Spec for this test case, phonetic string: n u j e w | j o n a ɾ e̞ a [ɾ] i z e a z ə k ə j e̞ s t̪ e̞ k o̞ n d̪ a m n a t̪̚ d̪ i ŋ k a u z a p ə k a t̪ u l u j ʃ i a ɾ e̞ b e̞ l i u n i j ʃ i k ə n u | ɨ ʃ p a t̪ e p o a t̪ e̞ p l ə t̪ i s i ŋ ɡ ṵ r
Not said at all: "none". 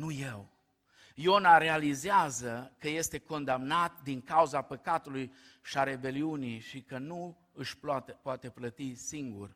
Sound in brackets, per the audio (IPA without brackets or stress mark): l